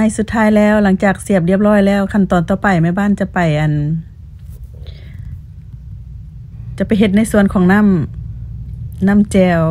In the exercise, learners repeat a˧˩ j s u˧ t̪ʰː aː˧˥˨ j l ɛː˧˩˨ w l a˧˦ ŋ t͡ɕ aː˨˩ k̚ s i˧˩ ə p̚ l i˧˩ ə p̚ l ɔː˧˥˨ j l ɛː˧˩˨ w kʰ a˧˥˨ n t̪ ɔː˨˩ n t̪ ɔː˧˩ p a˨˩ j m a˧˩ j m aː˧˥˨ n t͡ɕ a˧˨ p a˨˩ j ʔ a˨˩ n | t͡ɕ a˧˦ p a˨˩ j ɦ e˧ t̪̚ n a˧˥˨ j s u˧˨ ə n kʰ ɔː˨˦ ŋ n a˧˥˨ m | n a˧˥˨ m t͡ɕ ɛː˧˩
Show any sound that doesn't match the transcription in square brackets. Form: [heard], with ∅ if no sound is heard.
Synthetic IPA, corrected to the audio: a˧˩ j s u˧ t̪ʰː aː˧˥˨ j l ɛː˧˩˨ w l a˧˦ ŋ t͡ɕ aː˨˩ k̚ s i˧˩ ə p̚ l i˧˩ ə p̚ l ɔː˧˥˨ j l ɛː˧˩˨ w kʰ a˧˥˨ n t̪ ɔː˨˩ n t̪ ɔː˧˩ p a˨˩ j m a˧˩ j [b] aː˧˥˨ n t͡ɕ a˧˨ p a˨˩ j ʔ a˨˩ n | t͡ɕ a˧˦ p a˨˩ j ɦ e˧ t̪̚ n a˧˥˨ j s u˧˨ ə n kʰ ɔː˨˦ ŋ n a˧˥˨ m | n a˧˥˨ m t͡ɕ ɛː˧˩